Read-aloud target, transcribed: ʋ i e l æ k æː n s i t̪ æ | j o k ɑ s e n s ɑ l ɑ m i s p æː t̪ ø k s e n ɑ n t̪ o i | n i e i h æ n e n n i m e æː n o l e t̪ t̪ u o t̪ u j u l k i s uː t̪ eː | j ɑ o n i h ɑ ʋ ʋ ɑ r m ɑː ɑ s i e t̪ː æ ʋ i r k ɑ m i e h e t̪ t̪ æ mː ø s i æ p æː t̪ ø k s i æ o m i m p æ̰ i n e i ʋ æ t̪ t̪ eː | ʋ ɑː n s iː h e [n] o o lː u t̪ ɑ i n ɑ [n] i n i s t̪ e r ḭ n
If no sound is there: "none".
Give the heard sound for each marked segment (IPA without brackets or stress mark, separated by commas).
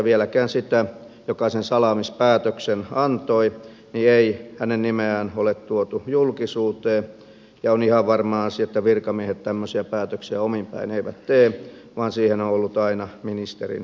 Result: n, m